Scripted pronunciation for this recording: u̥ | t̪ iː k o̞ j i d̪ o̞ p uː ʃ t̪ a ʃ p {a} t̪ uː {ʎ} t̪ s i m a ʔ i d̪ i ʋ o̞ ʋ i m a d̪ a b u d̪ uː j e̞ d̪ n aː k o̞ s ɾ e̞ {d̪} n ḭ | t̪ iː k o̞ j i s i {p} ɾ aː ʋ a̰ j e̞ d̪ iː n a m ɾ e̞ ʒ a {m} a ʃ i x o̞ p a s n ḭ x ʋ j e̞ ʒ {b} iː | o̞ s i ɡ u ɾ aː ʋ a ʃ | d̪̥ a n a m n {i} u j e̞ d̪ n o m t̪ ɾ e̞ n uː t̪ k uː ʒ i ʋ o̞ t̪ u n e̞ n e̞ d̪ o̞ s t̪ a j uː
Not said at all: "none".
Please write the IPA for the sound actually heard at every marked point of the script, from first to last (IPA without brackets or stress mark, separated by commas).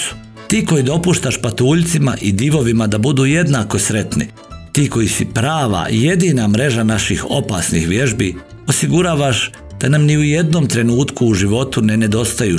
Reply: a, ʎ, t̪, p, n, b, i